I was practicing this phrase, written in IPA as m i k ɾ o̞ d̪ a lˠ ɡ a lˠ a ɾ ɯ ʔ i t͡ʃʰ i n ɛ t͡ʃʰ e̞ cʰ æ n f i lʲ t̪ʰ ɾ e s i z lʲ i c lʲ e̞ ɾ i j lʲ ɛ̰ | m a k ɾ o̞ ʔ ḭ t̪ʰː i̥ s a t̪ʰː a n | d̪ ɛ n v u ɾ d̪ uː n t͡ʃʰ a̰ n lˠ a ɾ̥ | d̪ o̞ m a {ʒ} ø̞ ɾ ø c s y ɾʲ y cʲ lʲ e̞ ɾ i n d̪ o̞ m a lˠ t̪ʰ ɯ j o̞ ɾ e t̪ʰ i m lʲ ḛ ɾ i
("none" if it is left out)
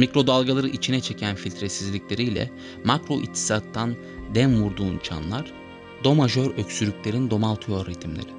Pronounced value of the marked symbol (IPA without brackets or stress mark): ʒ